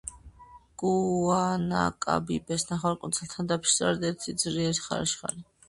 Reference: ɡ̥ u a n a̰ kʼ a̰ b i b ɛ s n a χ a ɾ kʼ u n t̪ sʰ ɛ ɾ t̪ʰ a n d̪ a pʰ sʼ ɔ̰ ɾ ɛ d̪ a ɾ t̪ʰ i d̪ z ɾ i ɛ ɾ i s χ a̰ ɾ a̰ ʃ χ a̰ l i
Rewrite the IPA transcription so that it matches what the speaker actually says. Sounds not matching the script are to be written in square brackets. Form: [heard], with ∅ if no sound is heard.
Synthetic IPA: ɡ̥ u a n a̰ kʼ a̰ b i b ɛ s n a χ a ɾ kʼ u n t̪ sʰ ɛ [l] t̪ʰ a n d̪ a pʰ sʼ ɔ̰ ɾ ɛ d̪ [ɛ] ɾ t̪ʰ i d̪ z ɾ i ɛ ɾ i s χ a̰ ɾ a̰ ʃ χ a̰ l i